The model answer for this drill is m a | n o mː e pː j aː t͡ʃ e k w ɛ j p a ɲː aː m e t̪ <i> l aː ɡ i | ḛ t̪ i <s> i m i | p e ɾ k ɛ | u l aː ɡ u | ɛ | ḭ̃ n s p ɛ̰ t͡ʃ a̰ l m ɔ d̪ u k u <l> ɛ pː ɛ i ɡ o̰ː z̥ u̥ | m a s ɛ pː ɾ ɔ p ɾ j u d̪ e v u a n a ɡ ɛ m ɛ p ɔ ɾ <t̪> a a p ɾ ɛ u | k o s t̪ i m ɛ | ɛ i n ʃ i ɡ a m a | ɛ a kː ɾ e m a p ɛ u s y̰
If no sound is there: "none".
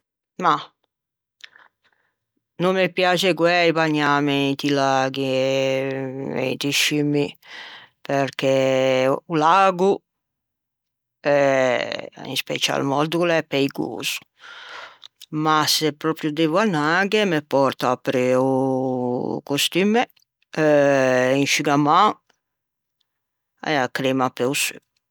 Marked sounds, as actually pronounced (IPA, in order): i, ʃ, l, t̪

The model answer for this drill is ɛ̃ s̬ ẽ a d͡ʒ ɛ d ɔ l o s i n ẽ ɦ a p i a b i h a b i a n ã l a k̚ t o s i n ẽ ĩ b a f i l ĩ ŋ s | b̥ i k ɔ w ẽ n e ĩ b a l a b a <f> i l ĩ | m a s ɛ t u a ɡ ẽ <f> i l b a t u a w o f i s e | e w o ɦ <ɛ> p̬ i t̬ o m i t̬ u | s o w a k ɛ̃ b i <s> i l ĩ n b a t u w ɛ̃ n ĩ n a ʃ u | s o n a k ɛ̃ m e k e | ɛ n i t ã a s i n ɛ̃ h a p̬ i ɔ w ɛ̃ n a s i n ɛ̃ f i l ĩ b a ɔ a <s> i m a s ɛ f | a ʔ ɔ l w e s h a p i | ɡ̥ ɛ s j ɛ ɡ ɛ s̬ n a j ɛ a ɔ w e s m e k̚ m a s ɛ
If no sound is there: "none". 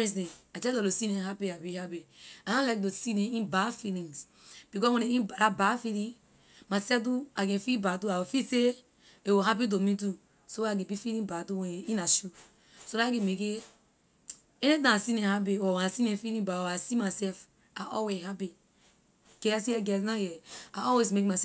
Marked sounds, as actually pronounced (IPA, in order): f, f, a, f, s

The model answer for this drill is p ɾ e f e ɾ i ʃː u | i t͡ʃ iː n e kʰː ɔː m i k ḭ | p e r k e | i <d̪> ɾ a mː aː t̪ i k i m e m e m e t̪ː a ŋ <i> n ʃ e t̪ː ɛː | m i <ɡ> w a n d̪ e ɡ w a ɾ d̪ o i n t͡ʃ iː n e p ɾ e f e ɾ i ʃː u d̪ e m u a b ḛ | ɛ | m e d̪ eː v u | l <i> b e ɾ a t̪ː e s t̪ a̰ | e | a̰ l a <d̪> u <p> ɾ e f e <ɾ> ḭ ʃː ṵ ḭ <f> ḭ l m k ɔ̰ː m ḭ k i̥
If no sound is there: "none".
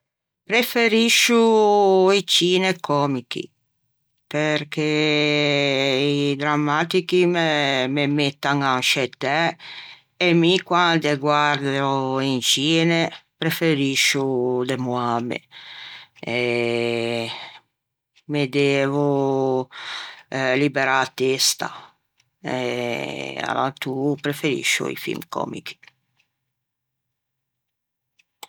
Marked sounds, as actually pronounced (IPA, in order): d̪, a, k, i, t̪, p, ɾ, f

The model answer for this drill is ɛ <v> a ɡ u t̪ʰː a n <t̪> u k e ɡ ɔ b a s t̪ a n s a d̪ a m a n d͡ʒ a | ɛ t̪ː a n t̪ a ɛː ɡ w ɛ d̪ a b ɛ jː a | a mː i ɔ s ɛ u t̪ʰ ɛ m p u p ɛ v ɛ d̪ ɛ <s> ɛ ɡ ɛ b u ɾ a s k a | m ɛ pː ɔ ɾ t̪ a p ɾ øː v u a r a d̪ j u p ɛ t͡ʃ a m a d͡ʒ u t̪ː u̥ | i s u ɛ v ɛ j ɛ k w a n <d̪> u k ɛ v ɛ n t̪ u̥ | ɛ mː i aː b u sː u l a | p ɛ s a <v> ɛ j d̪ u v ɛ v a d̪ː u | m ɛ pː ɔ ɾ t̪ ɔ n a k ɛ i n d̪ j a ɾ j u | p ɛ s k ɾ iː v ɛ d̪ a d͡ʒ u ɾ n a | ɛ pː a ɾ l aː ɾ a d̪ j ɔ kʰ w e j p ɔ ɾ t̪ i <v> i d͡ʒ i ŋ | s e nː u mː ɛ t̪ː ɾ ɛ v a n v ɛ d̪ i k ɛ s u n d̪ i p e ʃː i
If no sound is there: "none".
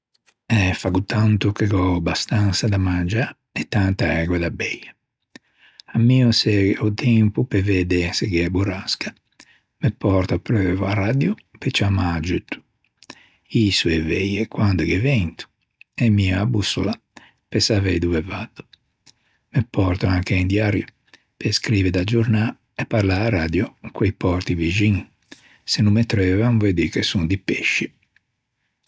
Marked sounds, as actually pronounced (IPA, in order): f, t̪, s, d̪, v, v

